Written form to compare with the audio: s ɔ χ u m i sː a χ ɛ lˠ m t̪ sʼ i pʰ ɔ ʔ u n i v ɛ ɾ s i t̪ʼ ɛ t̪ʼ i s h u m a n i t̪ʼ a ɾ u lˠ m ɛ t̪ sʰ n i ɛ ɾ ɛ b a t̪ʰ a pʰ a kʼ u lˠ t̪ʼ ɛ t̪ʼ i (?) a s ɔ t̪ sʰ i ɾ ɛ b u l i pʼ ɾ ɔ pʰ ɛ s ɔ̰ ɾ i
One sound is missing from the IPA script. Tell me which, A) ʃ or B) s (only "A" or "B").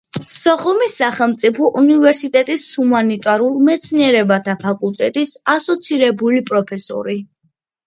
B